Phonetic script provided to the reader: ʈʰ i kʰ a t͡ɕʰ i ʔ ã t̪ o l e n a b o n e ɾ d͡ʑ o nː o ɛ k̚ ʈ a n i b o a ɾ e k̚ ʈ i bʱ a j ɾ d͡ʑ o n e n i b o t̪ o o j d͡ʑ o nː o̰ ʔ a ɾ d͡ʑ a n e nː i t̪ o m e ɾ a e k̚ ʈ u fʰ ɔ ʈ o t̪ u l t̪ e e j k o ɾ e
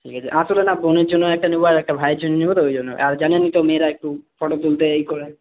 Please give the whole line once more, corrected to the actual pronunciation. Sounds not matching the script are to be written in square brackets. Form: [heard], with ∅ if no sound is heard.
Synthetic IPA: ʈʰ i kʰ a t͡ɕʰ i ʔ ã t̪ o l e n a b o n e ɾ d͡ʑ o nː o ɛ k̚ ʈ a n i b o a ɾ [ɛ] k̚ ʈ [a] bʱ a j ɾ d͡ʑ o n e n i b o t̪ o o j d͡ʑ o nː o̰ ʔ a ɾ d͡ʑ a n e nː i t̪ o m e ɾ a e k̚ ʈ u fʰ ɔ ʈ o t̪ u l t̪ e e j k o ɾ e